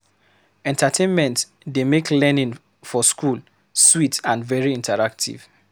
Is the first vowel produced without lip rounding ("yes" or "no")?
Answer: yes